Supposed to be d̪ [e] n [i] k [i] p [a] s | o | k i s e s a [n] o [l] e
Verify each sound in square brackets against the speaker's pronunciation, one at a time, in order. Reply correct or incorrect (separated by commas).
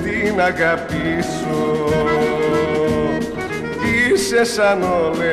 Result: incorrect, incorrect, incorrect, incorrect, correct, correct